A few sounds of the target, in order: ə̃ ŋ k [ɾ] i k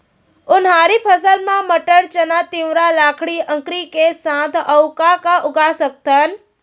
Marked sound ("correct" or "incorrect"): correct